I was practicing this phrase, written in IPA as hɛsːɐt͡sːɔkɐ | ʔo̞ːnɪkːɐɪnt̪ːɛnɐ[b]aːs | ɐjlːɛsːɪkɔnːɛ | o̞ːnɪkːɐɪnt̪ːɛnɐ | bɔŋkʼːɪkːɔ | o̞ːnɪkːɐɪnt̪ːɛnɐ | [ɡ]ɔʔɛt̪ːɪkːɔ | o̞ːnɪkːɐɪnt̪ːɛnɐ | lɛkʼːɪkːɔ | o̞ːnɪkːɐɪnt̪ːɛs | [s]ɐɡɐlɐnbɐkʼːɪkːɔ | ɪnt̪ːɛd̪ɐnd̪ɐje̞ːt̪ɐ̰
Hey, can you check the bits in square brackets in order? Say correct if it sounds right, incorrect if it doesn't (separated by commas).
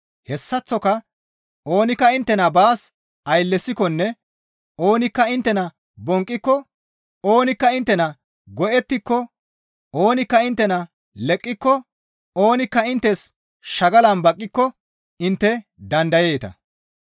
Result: correct, correct, incorrect